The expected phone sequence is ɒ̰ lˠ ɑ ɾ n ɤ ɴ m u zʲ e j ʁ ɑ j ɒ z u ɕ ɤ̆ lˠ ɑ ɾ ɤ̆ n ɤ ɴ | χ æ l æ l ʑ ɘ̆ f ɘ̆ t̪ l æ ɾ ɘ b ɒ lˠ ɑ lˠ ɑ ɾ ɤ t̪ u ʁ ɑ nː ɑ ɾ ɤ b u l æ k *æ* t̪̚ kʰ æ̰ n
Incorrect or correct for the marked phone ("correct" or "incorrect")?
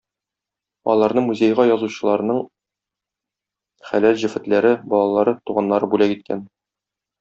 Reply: incorrect